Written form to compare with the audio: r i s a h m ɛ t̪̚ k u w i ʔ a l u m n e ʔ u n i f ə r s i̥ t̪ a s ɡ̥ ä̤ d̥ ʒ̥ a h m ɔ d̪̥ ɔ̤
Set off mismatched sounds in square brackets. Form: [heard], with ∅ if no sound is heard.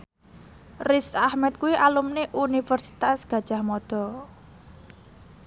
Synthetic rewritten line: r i s a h m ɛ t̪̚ k u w i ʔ a l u m n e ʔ u n i f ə r s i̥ t̪ a s ɡ̥ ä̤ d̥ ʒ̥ a h m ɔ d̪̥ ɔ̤